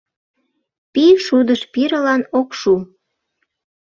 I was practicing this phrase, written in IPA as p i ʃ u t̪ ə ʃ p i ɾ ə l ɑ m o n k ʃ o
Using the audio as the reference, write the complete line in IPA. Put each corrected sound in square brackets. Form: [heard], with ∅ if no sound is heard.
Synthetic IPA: p i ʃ u [d̪] ə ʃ p i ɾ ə l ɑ [n] o [∅] k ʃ [u]